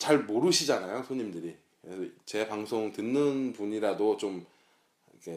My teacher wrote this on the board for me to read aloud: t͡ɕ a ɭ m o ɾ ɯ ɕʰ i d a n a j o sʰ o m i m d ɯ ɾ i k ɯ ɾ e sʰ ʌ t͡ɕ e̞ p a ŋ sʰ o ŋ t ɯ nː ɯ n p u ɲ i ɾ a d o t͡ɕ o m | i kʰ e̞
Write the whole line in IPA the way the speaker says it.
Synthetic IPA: t͡ɕ a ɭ m o ɾ ɯ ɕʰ i d͡ʑ a n a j o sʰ o ɲ i m d ɯ ɾ i k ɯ ɾ e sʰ ʌ t͡ɕ e̞ p a ŋ sʰ o ŋ t ɯ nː ɯ n p u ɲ i ɾ a d o t͡ɕ o m | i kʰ e̞